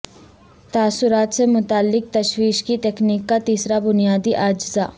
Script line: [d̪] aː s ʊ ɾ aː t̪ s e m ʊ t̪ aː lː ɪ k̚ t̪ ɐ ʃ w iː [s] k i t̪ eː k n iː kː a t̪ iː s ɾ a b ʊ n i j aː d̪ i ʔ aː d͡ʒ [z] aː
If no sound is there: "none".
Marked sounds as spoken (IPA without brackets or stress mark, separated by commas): t̪, ʃ, z